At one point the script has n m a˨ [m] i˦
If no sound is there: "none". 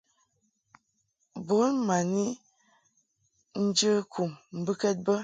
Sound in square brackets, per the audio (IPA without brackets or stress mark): n